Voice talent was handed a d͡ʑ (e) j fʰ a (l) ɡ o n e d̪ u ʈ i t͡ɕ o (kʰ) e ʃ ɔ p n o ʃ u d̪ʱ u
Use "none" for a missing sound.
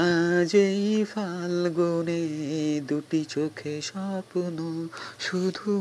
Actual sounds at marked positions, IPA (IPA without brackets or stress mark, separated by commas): e, l, kʰ